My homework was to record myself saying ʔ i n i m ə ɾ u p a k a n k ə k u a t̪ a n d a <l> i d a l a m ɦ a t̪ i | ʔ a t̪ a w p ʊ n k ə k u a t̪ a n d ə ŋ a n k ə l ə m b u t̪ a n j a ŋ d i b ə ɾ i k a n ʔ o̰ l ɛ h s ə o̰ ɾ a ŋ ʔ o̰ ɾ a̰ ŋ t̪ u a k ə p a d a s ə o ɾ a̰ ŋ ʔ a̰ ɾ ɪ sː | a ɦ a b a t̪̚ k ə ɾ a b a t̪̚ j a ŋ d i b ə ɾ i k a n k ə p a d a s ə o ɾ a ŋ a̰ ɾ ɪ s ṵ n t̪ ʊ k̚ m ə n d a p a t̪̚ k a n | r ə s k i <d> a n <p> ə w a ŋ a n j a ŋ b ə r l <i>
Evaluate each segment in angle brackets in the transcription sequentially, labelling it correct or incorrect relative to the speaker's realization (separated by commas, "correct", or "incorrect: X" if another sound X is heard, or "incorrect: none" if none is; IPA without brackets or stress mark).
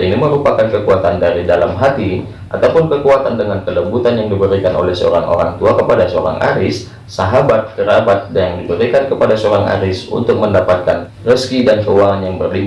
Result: incorrect: ɾ, correct, incorrect: k, correct